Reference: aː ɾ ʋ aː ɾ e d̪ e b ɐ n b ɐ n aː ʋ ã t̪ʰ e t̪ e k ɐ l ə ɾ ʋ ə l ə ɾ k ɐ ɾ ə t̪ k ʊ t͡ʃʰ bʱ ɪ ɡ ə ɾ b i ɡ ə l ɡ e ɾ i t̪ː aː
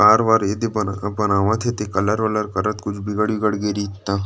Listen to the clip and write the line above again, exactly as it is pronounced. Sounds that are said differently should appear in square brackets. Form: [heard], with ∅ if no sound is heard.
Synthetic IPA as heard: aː ɾ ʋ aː ɾ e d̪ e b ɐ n b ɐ n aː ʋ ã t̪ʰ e t̪ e k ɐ l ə ɾ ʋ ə l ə ɾ k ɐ ɾ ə t̪ k ʊ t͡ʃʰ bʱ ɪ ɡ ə [ɽ] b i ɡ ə [ɽ] ɡ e ɾ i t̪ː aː